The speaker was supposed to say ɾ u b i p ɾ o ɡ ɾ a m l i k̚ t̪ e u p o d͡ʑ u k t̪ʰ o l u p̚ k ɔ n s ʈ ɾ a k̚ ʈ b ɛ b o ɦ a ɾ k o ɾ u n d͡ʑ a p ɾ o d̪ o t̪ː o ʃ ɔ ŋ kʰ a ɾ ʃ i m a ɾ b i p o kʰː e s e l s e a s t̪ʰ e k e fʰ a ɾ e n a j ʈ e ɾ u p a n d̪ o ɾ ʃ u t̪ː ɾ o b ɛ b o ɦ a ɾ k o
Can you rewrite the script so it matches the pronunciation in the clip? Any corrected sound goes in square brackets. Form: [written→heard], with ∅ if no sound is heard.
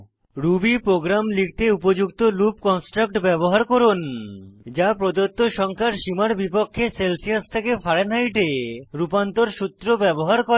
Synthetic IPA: ɾ u b i p ɾ o ɡ ɾ a m l i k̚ t̪ e u p o d͡ʑ u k [t̪ʰ→t̪] o l u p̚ k ɔ n s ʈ ɾ a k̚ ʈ b ɛ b o ɦ a ɾ k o ɾ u n d͡ʑ a p ɾ o d̪ o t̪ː o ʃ ɔ ŋ kʰ a ɾ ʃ i m a ɾ b i p o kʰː e s e l s [e→i] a s t̪ʰ e k e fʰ a ɾ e n a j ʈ e ɾ u p a n [d̪→t̪] o ɾ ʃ u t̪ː ɾ o b ɛ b o ɦ a ɾ k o

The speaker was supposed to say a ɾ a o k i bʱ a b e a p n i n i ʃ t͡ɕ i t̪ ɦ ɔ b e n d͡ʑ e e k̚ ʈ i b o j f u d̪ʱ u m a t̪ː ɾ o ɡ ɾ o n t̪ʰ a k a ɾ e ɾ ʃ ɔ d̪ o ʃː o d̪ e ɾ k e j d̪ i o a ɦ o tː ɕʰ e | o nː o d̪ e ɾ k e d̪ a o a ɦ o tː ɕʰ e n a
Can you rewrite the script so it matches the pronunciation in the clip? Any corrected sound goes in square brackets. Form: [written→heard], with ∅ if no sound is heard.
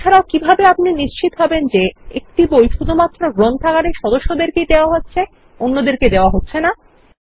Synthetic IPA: a ɾ a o k i bʱ a b e a p n i n i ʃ t͡ɕ i t̪ ɦ ɔ b e n d͡ʑ e e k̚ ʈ i b o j [f→ʃ] u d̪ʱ u m a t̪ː ɾ o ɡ ɾ o n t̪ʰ a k a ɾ e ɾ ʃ ɔ d̪ o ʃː o d̪ e ɾ k e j d̪ [i→e] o a ɦ o tː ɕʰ e | o nː o d̪ e ɾ k e d̪ [a→e] o a ɦ o tː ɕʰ e n a

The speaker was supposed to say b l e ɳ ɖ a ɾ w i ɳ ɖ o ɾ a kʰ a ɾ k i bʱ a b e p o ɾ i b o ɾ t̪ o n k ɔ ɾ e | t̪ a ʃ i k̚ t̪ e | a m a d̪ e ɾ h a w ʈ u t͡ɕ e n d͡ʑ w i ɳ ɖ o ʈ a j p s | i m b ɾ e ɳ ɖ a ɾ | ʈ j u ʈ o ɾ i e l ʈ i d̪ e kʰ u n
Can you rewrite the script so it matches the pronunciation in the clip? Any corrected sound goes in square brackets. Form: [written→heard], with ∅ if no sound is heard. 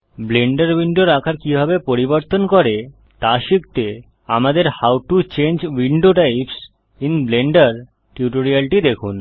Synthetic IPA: b l e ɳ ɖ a ɾ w i ɳ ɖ o ɾ a kʰ a ɾ k i bʱ a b e p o ɾ i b o ɾ t̪ o n k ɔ ɾ e | t̪ a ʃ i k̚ t̪ e | a m a d̪ e ɾ h a w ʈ u t͡ɕ e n d͡ʑ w i ɳ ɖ o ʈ a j p s | i [m→n] b [ɾ→l] e ɳ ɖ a ɾ | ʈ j u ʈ o ɾ i [e→a] l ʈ i d̪ e kʰ u n

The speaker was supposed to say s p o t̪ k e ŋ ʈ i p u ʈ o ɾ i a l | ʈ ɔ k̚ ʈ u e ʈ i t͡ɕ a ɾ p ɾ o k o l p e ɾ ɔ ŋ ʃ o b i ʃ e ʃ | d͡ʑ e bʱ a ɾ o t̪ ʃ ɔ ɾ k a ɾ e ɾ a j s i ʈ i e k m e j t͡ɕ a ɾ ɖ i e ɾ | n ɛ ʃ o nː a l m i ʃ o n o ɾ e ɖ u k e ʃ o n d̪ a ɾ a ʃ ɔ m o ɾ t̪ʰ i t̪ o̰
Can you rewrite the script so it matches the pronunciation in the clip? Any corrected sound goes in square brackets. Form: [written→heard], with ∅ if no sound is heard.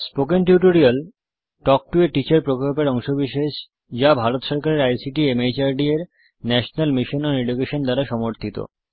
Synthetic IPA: s p o [t̪→∅] k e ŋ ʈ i [p→∅] u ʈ o ɾ i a l | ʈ ɔ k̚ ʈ u e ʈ i t͡ɕ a ɾ p ɾ o k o l p e ɾ ɔ ŋ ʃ o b i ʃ e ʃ | d͡ʑ [e→a] bʱ a ɾ o t̪ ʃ ɔ ɾ k a ɾ e ɾ a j s i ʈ i e [k→∅] m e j t͡ɕ a ɾ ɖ i e ɾ | n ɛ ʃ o [nː→n] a l m i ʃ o n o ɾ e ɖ u k e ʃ o n d̪ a ɾ a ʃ ɔ m o ɾ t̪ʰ i t̪ o̰

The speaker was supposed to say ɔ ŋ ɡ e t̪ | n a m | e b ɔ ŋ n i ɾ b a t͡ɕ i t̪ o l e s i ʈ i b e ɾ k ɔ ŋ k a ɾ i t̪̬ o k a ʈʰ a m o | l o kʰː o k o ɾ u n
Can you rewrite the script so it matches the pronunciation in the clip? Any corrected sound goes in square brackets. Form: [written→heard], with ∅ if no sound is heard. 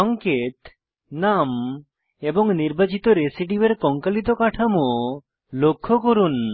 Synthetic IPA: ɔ ŋ [ɡ→k] e t̪ | n a m | e b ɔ ŋ n i ɾ b a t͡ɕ i t̪ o [l→ɾ] e s i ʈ i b e ɾ k ɔ ŋ k a [ɾ→l] i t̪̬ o k a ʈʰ a m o | l o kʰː o k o ɾ u n

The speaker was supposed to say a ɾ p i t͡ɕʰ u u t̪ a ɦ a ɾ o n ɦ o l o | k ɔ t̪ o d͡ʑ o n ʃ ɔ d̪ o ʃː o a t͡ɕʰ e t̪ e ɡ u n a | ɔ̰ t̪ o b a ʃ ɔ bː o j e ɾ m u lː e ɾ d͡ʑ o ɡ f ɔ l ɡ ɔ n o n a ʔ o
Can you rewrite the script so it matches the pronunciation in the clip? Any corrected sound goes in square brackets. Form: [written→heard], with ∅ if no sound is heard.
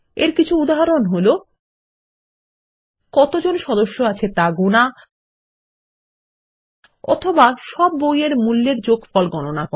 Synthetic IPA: [a→e] ɾ [p→k] i t͡ɕʰ u u [t̪→d̪] a ɦ a ɾ o n ɦ o l o | k ɔ t̪ o d͡ʑ o n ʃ ɔ d̪ o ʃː o a t͡ɕʰ e t̪ [e→a] ɡ u n a | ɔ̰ [t̪→t̪ʰ] o b a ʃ ɔ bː o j e ɾ m u lː e ɾ d͡ʑ o ɡ f ɔ l ɡ ɔ n o n a [ʔ→k] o

